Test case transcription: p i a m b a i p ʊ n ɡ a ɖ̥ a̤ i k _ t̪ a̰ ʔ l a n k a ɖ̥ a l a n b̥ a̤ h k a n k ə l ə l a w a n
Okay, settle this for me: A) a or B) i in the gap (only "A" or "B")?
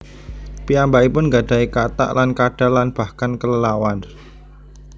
A